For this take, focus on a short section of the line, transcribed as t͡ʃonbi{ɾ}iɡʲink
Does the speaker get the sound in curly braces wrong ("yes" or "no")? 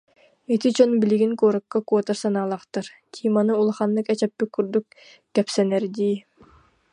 yes